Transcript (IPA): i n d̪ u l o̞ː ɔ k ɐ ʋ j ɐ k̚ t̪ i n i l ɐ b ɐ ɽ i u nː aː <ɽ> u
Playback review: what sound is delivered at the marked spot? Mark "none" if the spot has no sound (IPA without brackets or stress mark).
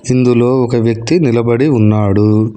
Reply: ɽ